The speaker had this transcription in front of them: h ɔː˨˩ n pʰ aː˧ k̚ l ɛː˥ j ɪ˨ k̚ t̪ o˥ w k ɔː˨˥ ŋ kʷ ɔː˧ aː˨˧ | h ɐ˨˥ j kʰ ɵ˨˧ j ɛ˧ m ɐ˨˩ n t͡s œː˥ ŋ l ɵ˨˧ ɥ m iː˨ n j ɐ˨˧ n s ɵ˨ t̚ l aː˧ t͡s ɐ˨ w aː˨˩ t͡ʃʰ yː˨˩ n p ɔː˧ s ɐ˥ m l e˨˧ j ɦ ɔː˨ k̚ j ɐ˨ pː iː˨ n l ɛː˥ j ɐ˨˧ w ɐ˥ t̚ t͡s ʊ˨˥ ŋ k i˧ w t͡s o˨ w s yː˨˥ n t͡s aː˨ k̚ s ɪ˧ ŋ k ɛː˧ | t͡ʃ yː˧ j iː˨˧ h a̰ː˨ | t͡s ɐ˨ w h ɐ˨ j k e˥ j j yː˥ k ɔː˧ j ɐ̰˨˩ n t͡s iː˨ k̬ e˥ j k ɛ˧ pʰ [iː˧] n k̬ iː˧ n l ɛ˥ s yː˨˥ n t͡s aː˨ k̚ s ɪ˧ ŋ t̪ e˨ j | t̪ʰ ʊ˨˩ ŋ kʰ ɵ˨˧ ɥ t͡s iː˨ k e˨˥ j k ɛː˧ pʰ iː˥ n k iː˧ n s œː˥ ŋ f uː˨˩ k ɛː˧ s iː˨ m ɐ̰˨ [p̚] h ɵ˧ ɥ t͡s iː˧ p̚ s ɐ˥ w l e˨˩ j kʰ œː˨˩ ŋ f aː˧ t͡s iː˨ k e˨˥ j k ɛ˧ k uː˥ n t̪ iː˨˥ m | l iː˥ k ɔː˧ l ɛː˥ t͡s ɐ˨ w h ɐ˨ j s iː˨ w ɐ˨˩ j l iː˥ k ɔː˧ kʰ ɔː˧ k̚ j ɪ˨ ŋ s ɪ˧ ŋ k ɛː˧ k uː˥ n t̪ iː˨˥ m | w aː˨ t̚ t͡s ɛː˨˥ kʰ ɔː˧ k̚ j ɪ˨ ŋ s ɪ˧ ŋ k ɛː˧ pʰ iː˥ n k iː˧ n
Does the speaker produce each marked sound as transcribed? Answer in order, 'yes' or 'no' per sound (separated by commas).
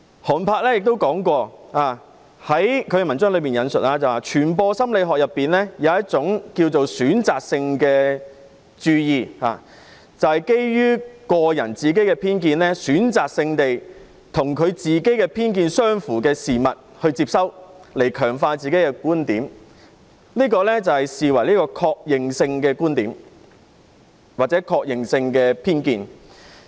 no, no